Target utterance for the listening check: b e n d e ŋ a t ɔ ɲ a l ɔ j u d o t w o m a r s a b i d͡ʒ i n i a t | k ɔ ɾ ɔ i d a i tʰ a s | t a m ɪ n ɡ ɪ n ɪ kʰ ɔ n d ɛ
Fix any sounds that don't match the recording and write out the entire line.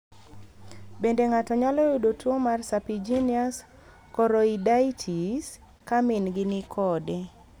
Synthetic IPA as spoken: b e n d e ŋ a t ɔ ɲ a l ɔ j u d o t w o m a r s a p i d͡ʒ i n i a s | k ɔ ɾ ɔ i d a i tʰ i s | k a m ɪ n ɡ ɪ n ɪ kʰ ɔ d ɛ